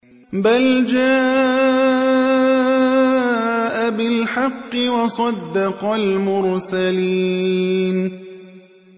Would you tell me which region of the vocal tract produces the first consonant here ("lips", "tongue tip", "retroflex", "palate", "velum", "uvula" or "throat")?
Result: lips